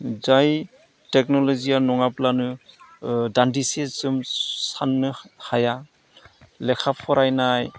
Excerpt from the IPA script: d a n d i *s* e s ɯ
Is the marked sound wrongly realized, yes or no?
no